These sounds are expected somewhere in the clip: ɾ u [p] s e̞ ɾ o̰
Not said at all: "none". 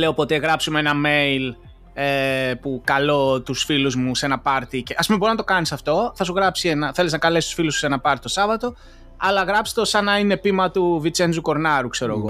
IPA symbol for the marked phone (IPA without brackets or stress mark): k